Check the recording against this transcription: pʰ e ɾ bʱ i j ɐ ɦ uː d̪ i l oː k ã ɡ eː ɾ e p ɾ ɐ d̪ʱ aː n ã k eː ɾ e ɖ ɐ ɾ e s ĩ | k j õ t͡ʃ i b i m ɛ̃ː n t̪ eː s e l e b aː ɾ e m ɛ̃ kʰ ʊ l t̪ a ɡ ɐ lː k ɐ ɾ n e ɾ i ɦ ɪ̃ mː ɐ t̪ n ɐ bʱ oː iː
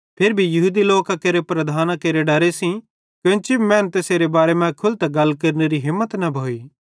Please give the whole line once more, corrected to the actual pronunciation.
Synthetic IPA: pʰ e ɾ bʱ i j ɐ ɦ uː d̪ i l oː k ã k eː ɾ e p ɾ ɐ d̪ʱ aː n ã k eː ɾ e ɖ ɐ ɾ e s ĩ | k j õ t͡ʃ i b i m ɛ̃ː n t̪ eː s e ɾ e b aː ɾ e m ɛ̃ kʰ ʊ l t̪ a ɡ ɐ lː k ɐ ɾ n e ɾ i ɦ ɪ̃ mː ə t̪ n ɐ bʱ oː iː